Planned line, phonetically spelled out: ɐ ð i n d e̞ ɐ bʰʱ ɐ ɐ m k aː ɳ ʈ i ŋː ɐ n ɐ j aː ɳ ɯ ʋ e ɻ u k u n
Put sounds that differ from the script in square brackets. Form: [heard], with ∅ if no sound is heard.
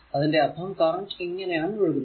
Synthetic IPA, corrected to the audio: ɐ ð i n d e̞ ɐ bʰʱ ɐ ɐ m k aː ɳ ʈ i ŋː ɐ n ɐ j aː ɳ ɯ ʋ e ɻ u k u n